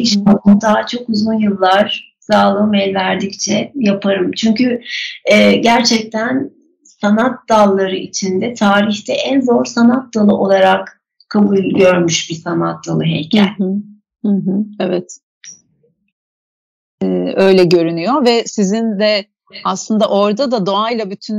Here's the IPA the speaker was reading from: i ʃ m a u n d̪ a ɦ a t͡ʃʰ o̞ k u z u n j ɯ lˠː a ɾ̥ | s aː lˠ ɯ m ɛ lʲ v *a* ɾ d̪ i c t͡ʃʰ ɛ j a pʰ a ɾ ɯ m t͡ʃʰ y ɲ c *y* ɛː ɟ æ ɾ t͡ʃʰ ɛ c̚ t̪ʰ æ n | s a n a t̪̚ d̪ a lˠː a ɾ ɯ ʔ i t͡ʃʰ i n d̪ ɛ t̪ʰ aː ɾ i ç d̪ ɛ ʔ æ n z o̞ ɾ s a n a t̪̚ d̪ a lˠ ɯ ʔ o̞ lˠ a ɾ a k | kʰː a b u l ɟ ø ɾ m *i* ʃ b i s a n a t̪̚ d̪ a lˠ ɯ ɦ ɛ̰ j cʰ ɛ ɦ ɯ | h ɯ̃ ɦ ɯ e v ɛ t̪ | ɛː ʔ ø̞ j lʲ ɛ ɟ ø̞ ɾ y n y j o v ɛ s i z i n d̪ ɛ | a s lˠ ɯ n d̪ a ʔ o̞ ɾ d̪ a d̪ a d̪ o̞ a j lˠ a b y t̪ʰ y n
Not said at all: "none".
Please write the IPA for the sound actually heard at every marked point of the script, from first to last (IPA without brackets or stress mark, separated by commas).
æ, y, y